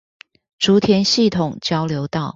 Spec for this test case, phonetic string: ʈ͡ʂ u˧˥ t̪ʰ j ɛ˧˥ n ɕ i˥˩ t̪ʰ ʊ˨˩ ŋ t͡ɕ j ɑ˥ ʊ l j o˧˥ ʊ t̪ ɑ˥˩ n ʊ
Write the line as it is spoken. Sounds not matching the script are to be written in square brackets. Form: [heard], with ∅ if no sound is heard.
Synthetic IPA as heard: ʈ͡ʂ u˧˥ t̪ʰ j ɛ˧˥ n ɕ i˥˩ t̪ʰ ʊ˨˩ ŋ t͡ɕ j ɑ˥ ʊ l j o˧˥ ʊ t̪ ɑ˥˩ [∅] ʊ